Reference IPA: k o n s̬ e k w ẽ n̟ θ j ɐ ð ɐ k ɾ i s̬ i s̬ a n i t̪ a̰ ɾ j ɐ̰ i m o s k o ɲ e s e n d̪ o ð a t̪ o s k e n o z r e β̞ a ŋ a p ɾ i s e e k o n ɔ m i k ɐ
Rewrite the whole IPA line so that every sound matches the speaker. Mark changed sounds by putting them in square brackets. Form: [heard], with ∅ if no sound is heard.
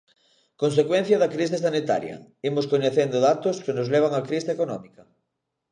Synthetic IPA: k o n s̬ e k w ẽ n̟ θ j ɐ ð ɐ k ɾ i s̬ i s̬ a n i t̪ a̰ ɾ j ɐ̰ i m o s k o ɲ e [θ] e n d̪ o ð a t̪ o s k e n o z [l] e β̞ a ŋ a [k] ɾ i s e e k o n ɔ m i k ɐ